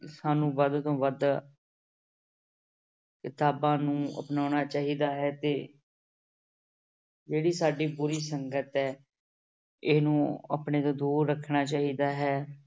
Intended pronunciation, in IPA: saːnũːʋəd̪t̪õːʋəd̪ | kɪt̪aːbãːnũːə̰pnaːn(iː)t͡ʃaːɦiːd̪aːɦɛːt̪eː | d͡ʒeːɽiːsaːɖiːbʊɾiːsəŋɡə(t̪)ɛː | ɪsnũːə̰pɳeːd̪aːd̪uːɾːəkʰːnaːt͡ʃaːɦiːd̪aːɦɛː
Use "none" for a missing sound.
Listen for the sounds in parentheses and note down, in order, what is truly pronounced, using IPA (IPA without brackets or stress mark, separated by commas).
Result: aː, t̪